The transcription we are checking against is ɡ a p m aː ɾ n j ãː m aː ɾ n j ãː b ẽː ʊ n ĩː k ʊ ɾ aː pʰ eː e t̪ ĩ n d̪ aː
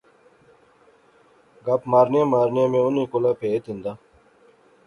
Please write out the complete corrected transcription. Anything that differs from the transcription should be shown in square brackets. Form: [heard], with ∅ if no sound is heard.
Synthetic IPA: ɡ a p m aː ɾ n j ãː m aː ɾ n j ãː [m] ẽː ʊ n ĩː k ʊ [l] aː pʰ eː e t̪ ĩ n d̪ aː